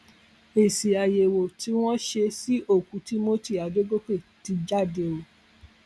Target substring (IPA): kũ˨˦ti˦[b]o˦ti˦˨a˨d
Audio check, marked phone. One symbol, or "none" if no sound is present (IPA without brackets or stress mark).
m